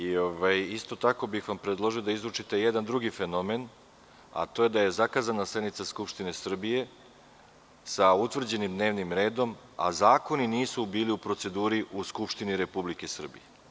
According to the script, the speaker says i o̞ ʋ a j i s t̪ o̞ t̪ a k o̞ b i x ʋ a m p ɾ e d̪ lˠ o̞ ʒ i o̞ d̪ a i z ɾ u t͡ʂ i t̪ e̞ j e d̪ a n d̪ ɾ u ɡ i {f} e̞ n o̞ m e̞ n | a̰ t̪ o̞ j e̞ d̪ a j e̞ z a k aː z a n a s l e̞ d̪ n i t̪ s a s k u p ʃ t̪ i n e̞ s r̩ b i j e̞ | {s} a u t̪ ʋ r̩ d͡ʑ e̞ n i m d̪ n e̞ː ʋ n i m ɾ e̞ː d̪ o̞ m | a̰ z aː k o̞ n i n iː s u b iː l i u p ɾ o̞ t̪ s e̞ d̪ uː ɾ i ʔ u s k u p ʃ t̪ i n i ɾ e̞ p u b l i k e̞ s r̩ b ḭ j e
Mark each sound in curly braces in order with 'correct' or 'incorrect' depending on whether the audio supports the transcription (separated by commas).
correct, correct